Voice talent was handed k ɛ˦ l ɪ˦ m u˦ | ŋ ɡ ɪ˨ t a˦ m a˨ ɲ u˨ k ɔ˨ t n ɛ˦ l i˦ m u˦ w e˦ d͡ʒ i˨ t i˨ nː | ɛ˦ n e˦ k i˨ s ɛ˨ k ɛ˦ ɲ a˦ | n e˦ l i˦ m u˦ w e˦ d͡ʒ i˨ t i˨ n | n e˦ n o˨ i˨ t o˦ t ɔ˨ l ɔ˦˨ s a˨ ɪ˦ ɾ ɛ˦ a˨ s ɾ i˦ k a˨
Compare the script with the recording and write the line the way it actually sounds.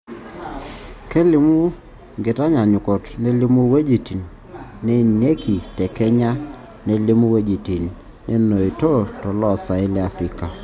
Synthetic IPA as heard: k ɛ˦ l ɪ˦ m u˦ | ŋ ɡ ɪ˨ t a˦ ɲ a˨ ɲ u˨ k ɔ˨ t n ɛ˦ l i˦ m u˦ w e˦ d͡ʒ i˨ t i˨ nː | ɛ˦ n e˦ k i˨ t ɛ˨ k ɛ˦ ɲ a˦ | n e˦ l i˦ m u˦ w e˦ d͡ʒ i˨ t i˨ n | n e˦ n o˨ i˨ t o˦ t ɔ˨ l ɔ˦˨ s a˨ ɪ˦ l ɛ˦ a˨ f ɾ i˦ k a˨